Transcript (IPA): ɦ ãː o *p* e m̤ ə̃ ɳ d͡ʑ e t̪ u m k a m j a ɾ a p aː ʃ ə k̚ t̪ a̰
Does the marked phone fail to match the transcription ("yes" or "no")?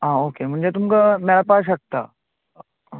yes